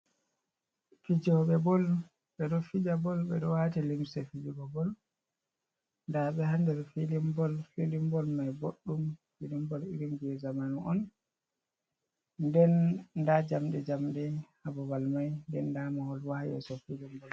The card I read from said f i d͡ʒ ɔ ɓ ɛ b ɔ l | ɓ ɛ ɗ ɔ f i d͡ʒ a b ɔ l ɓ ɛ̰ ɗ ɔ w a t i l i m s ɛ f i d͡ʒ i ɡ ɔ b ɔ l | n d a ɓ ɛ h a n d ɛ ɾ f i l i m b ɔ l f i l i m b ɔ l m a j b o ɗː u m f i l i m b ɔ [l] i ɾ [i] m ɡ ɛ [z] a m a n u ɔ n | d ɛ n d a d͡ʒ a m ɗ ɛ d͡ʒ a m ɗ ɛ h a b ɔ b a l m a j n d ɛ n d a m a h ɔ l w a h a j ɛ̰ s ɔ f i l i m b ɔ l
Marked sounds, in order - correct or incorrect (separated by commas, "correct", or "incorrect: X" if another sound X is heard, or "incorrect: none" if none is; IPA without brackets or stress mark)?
correct, correct, correct